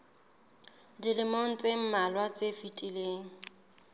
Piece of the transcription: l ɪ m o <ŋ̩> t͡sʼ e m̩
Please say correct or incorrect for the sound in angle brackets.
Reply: correct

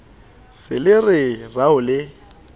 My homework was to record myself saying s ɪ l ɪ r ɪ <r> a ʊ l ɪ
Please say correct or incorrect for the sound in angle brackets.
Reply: correct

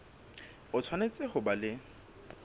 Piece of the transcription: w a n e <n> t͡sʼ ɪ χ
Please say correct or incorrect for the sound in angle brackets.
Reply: incorrect: none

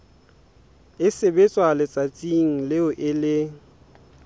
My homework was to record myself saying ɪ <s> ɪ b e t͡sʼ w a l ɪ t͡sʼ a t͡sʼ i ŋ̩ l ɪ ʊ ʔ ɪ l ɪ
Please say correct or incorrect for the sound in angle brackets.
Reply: correct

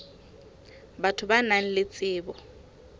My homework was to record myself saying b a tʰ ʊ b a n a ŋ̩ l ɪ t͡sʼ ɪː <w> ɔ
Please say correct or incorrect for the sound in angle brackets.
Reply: incorrect: b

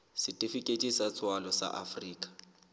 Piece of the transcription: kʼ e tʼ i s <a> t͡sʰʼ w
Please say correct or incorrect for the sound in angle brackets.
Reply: correct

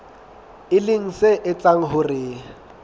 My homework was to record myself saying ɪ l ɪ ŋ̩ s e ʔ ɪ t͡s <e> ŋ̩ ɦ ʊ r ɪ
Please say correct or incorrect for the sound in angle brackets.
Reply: incorrect: a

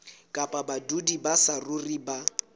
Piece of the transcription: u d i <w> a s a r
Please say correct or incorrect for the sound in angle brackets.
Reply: incorrect: b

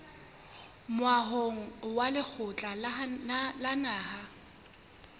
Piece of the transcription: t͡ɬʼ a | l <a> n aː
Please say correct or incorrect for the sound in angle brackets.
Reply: correct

